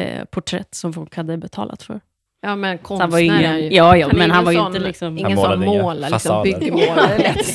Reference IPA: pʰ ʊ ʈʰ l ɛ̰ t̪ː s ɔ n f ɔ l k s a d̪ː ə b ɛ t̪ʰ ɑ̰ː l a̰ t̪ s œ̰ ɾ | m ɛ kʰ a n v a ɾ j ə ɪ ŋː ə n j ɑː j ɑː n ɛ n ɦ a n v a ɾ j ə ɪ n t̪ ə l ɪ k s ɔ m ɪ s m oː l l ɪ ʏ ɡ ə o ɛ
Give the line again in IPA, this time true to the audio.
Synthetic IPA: pʰ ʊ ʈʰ ɾ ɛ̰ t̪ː s ɔ m f ɔ l k h a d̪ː ə b ɛ t̪ʰ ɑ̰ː l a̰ t̪ f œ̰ ɾ | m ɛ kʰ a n v a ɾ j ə ɪ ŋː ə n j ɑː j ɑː m ɛ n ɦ a n v a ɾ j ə ɪ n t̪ ə l ɪ k s ɔ m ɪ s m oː l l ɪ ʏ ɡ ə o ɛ